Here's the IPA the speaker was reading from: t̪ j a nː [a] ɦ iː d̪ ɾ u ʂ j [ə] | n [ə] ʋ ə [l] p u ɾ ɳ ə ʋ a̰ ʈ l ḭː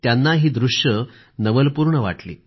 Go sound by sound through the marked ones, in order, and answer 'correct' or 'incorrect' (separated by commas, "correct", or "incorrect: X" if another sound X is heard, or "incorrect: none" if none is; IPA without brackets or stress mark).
correct, correct, correct, correct